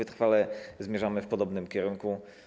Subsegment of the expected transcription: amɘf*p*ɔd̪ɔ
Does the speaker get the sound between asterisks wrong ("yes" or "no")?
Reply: no